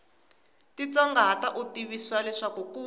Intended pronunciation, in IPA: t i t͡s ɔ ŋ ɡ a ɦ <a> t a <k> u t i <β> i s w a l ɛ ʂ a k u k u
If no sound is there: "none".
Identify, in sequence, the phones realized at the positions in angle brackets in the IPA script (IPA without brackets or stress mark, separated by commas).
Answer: a, ʔ, β